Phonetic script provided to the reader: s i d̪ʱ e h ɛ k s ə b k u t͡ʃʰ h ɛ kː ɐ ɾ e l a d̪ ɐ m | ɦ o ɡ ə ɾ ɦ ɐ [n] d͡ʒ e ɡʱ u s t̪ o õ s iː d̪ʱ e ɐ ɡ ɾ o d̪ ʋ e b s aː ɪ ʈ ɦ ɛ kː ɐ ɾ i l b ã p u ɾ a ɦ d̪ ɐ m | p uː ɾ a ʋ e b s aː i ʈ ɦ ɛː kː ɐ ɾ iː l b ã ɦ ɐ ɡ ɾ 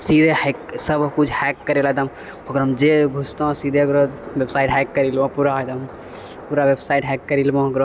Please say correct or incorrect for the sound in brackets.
incorrect